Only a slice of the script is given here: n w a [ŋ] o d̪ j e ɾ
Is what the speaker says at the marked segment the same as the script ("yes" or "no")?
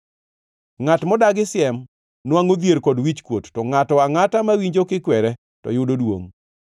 yes